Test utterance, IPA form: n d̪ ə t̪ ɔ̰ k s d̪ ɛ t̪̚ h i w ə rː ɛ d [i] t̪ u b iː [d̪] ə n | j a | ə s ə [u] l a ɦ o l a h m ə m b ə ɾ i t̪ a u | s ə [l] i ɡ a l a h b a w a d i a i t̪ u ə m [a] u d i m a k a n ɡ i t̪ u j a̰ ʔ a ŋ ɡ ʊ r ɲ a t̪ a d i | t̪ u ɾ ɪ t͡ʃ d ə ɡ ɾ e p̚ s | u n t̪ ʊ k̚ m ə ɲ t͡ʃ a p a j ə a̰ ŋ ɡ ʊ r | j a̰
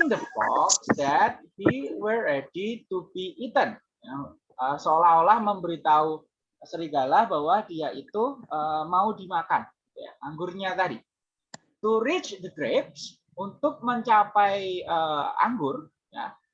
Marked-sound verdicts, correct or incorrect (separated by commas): correct, incorrect, incorrect, incorrect, correct